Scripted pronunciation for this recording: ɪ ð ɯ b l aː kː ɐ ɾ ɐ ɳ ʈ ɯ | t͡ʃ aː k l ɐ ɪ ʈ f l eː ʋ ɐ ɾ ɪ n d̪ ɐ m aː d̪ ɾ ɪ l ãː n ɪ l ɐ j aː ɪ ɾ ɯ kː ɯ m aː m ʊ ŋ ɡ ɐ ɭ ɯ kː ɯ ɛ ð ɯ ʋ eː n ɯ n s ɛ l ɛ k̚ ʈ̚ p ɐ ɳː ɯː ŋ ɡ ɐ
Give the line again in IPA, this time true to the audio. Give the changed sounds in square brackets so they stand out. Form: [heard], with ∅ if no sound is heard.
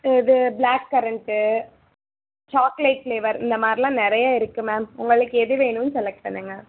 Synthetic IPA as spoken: ɪ ð ɯ b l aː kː ɐ ɾ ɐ ɳ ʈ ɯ | t͡ʃ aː k l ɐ ɪ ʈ f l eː ʋ ɐ ɾ ɪ n d̪ ɐ m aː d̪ ɾ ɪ l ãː n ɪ [ɾ] ɐ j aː ɪ ɾ ɯ kː ɯ m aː m ʊ ŋ ɡ ɐ ɭ ɯ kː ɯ ɛ ð ɯ ʋ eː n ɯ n s ɛ l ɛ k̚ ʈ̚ p ɐ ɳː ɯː ŋ ɡ ɐ